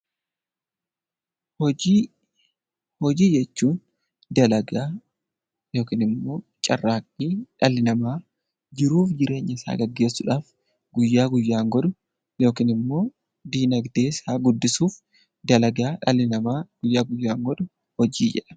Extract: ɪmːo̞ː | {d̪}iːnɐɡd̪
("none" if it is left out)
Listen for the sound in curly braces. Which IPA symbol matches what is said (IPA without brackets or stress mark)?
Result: d̪